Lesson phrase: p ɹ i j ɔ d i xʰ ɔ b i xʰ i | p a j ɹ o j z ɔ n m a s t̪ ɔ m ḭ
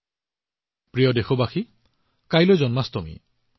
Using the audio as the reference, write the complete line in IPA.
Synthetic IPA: p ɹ i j ɔ d e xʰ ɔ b a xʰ i | k a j l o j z ɔ n m a s t̪ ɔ m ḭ